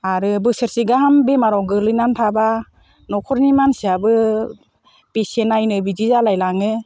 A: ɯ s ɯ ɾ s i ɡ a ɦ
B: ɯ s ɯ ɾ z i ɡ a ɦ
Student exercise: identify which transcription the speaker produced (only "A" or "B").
A